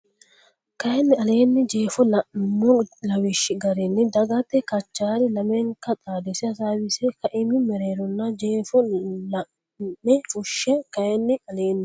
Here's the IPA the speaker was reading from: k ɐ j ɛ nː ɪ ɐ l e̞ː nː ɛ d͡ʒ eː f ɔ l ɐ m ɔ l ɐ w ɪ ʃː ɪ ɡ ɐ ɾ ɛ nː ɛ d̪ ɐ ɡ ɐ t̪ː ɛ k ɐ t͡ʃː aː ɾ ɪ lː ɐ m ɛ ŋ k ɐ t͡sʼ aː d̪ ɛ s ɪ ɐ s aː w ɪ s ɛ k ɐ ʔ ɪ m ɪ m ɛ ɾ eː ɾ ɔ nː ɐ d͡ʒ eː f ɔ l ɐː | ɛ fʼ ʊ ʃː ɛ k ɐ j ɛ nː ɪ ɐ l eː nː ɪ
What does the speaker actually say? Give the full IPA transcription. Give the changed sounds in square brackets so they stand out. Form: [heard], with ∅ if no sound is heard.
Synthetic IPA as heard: k ɐ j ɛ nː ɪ ɐ l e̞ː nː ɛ d͡ʒ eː f ɔ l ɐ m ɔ l ɐ w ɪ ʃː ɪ ɡ ɐ ɾ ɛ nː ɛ d̪ ɐ ɡ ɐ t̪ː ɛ k ɐ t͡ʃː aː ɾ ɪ [l] ɐ m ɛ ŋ k ɐ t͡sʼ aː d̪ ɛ s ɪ ɐ s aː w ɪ s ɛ k ɐ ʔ ɪ m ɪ m ɛ ɾ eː ɾ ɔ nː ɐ d͡ʒ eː f ɔ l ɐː | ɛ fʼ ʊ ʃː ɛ k ɐ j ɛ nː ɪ ɐ l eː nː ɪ

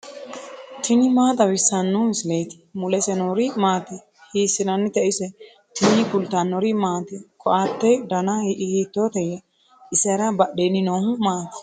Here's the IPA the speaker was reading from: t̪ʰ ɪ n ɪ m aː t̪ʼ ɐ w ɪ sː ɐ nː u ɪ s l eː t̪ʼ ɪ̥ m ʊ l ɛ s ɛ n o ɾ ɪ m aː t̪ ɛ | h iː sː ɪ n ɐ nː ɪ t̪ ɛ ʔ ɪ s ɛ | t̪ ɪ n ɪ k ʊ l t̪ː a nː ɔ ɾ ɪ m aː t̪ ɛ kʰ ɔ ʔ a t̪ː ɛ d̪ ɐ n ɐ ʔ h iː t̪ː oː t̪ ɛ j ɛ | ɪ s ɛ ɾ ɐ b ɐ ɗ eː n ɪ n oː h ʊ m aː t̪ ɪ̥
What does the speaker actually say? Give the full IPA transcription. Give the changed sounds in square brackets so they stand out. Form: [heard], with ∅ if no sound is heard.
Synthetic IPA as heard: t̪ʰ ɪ n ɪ m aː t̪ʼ ɐ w ɪ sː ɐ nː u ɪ s l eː [t̪] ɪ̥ m ʊ l ɛ s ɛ n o ɾ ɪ m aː t̪ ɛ | h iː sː ɪ n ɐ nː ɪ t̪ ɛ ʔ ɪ s ɛ | t̪ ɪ n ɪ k ʊ l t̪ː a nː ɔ ɾ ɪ m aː t̪ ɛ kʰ ɔ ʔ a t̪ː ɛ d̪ ɐ n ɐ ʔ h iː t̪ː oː t̪ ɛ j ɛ | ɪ s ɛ ɾ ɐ b ɐ ɗ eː n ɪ n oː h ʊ m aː t̪ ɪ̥

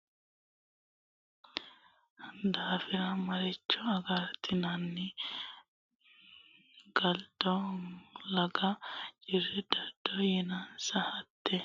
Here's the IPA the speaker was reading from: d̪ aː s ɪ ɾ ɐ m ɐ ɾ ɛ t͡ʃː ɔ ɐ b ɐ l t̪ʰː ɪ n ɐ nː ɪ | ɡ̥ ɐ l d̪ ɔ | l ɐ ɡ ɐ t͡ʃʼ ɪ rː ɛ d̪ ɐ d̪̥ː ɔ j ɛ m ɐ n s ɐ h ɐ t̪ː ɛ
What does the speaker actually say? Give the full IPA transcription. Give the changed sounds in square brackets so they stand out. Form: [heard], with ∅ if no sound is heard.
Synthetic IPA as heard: d̪ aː [f] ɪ ɾ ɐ m ɐ ɾ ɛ t͡ʃː ɔ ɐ [ɡ] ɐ [ɾ] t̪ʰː ɪ n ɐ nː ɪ | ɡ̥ ɐ l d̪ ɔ | l ɐ ɡ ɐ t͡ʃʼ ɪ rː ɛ d̪ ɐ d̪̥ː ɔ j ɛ [n] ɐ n s ɐ h ɐ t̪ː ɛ

